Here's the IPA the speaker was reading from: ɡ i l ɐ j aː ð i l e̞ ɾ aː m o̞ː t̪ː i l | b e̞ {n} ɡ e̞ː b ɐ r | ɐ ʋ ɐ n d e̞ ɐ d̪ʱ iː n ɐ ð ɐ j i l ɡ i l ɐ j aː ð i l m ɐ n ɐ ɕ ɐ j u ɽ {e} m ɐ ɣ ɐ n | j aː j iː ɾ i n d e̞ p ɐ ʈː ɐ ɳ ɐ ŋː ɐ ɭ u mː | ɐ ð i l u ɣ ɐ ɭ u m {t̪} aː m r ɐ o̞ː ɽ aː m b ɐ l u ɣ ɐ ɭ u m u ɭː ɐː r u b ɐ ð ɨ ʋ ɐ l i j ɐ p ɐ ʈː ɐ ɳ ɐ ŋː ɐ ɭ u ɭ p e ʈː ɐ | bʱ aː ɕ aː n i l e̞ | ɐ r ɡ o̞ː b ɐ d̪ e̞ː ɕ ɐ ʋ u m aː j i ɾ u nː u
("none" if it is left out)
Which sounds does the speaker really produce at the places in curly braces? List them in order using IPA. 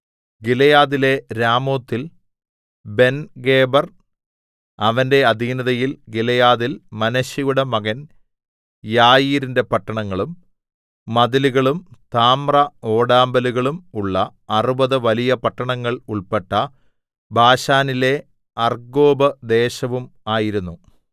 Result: n, e, t̪

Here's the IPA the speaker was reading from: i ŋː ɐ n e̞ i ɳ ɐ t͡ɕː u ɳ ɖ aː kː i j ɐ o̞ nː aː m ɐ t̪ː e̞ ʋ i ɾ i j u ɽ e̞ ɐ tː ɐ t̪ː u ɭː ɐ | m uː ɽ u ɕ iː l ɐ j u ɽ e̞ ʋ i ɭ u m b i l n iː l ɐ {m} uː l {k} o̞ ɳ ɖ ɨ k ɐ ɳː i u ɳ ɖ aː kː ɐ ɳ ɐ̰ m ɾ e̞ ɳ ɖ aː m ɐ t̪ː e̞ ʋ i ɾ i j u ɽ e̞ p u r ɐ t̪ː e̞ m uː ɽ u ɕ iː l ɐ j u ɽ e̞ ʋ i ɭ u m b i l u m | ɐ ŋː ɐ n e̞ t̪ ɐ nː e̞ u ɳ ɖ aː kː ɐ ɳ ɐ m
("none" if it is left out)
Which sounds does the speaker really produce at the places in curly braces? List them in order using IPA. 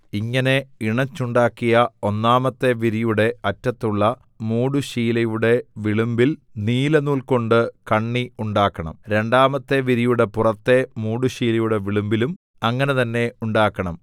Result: n, k

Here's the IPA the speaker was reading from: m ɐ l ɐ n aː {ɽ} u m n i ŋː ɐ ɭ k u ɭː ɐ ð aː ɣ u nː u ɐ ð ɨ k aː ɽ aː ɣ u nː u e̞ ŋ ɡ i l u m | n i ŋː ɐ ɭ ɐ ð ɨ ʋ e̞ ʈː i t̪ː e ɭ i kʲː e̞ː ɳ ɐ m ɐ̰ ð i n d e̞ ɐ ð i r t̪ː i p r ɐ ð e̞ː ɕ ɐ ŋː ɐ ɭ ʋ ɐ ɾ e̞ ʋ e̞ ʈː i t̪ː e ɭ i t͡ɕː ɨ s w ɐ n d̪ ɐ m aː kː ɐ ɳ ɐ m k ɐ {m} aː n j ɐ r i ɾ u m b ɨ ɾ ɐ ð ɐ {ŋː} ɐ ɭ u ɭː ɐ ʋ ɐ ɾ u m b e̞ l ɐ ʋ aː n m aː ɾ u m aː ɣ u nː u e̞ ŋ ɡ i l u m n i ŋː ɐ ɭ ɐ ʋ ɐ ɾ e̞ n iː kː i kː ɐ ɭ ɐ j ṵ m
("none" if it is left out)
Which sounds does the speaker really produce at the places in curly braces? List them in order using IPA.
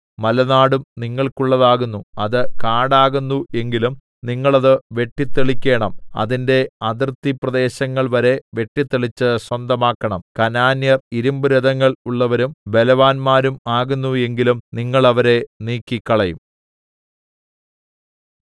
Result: ɽ, n, ŋː

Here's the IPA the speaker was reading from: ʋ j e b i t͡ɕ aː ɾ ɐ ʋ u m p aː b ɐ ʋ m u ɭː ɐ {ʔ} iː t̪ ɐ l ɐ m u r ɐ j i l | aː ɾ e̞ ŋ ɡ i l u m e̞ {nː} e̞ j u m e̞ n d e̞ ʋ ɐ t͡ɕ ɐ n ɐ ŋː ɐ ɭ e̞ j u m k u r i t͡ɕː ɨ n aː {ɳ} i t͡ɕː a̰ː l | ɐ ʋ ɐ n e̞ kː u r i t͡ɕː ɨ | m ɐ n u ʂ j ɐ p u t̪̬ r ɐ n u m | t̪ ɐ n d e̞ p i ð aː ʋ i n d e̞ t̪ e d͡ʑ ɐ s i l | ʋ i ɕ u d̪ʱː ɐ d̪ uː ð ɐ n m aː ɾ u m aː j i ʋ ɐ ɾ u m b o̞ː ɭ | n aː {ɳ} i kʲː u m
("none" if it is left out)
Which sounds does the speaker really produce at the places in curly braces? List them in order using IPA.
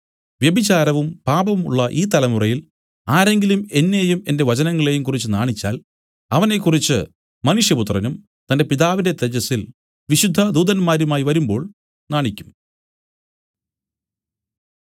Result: ʔ, nː, ɳ, ɳ

